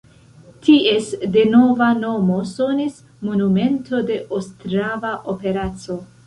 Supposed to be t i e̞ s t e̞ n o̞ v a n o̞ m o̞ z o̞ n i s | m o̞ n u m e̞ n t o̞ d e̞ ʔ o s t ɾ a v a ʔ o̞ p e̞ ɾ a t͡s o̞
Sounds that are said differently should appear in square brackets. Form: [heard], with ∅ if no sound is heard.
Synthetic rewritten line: t i e̞ s [d] e̞ n o̞ v a n o̞ m o̞ [s] o̞ n i s | m o̞ n u m e̞ n t o̞ d e̞ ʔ o s t ɾ a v a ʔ o̞ p e̞ ɾ a t͡s o̞

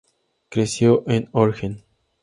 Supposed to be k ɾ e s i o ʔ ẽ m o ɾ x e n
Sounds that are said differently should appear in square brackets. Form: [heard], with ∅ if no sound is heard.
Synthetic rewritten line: k ɾ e s [j] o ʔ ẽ [n] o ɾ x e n

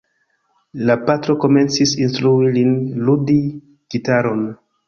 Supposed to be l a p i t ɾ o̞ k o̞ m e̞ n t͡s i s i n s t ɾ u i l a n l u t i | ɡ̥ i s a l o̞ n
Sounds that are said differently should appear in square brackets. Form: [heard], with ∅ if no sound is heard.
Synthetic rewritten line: l a p [a] t ɾ o̞ k o̞ m e̞ n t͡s i s i n s t ɾ u i l [i] n l u [d] i | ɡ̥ i [t] a [ɾ] o̞ n

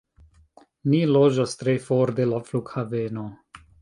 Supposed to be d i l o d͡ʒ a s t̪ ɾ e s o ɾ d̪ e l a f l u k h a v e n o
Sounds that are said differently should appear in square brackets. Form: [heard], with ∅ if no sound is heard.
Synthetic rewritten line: [n] i l o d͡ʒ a s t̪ ɾ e [f] o ɾ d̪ e l a f l u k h a v e n o

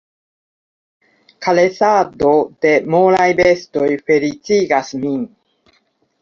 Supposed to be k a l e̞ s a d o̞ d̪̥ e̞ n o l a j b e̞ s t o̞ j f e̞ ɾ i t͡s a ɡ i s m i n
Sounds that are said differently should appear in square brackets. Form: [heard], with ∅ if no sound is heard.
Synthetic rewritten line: k a l e̞ s a d o̞ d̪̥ e̞ [m] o l a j b e̞ s t o̞ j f e̞ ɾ i t͡s [i] ɡ [a] s m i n

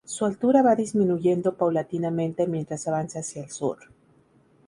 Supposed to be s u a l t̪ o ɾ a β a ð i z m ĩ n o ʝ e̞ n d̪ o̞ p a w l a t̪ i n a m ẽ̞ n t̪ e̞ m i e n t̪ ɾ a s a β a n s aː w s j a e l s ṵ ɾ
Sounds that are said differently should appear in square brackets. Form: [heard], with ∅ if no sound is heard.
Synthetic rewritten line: s u a l t̪ [u] ɾ a β a ð i z m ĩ n [u] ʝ e̞ n d̪ o̞ p a w l a t̪ i n a m ẽ̞ n t̪ e̞ m [j] e n t̪ ɾ a s a β a n s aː [∅] s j a e l s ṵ ɾ

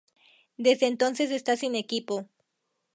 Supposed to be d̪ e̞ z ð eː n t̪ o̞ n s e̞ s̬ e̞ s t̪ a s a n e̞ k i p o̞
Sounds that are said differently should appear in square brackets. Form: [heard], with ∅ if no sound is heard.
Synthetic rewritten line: d̪ e̞ z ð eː n t̪ o̞ n s e̞ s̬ e̞ s t̪ a s [i] n e̞ k i p o̞

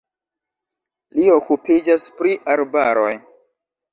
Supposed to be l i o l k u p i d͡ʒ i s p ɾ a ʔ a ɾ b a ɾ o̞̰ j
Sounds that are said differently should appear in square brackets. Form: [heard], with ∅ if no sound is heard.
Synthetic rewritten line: l i o [∅] k u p i d͡ʒ [a] s p ɾ [i] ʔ a ɾ b a ɾ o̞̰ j

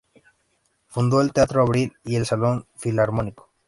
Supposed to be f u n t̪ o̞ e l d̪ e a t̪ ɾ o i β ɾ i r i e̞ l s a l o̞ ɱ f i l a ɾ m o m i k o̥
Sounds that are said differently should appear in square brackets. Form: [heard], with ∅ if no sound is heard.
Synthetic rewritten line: f u n [d̪] o̞ e l [t̪] e a t̪ ɾ o [a] β ɾ i [l] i e̞ l s a l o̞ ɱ f i l a ɾ m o [n] i k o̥

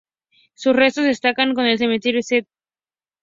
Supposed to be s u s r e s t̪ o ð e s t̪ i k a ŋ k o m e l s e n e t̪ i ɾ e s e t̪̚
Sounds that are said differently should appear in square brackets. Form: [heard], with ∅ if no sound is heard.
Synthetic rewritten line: s u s r e s t̪ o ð e s t̪ [a] k a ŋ k o [n] e l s e [m] e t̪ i ɾ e s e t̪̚

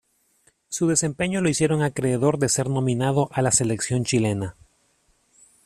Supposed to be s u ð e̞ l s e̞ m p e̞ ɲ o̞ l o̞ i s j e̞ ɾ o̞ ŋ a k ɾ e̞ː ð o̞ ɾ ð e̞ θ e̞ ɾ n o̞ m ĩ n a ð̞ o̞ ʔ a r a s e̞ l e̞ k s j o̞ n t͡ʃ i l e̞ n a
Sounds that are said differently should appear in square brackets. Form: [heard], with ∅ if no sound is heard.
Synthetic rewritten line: s u ð e̞ [∅] s e̞ m p e̞ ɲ o̞ l o̞ i s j e̞ ɾ o̞ ŋ a k ɾ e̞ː ð o̞ ɾ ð e̞ [s] e̞ ɾ n o̞ m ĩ n a ð̞ o̞ ʔ a [l] a s e̞ l e̞ k s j o̞ n t͡ʃ i l e̞ n a

